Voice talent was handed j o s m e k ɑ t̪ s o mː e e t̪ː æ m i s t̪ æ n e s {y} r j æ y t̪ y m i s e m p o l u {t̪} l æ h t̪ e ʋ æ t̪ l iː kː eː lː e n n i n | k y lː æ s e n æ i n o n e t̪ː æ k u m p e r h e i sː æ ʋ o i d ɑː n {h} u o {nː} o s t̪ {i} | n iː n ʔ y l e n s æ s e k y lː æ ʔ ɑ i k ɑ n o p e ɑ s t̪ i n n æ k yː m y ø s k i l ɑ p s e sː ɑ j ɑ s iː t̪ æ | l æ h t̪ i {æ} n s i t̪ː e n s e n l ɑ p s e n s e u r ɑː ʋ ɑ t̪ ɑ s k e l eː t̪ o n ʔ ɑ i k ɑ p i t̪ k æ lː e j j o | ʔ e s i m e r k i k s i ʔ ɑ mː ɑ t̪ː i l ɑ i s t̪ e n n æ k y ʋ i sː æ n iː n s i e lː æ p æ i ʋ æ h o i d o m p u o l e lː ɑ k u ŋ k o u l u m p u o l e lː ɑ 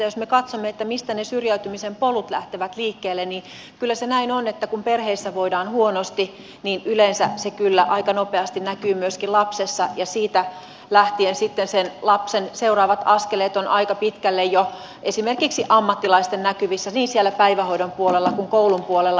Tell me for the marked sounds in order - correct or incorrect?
correct, correct, correct, incorrect: n, correct, incorrect: e

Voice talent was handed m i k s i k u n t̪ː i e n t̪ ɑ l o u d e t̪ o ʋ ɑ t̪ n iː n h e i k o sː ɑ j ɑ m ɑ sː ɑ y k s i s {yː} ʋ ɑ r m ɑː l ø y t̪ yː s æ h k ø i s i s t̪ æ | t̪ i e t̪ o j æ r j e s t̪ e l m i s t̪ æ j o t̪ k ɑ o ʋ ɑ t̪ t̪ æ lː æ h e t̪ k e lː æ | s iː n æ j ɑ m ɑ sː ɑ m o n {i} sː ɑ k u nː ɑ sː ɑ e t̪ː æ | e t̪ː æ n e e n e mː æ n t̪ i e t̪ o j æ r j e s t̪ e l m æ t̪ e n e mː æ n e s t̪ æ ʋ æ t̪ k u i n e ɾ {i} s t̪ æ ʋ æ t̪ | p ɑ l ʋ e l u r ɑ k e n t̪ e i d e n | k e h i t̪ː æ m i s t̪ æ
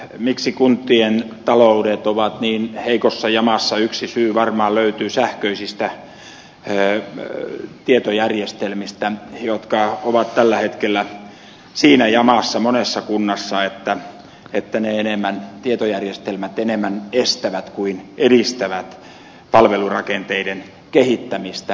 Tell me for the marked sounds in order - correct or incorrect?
correct, incorrect: e, correct

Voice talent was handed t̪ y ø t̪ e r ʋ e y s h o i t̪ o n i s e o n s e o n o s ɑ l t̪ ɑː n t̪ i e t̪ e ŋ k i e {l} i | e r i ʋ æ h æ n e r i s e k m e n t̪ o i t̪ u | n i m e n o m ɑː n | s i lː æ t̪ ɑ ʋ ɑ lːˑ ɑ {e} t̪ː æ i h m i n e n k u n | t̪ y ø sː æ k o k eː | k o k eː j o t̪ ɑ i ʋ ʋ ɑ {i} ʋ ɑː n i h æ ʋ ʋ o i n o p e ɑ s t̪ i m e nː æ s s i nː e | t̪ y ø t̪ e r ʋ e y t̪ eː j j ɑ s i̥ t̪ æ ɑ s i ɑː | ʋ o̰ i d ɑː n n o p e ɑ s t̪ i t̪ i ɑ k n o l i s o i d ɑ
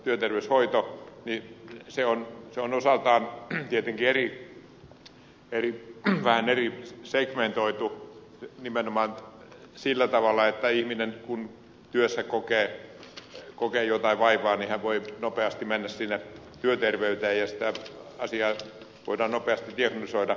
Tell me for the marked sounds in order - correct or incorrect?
incorrect: r, correct, correct

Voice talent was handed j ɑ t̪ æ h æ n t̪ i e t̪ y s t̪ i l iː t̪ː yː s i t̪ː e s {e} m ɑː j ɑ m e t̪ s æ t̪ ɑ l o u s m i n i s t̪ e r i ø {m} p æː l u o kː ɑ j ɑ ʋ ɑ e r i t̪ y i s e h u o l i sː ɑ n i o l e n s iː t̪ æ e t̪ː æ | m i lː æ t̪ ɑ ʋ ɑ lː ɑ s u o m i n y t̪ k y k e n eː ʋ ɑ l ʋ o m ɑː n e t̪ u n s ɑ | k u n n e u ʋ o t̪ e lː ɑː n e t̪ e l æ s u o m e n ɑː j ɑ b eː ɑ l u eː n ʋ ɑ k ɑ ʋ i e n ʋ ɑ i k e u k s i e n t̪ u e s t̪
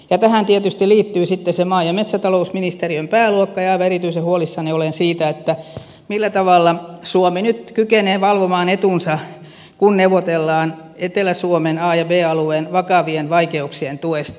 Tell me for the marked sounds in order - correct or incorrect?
correct, correct

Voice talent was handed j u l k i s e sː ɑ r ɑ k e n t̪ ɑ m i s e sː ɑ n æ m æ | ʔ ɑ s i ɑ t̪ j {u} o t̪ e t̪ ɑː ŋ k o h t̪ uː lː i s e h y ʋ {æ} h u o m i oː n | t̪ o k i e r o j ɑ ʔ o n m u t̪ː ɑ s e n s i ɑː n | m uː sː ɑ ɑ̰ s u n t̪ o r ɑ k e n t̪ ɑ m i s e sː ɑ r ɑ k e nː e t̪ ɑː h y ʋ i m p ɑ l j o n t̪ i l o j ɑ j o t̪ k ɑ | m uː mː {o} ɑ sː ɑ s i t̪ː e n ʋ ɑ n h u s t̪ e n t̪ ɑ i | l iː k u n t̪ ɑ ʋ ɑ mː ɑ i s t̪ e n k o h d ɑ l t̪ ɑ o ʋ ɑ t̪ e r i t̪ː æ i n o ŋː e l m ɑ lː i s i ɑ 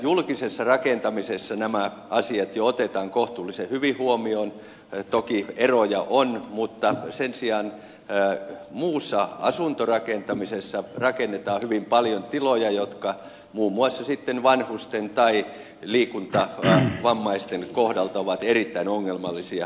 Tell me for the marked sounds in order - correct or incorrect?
incorrect: o, incorrect: i, incorrect: u

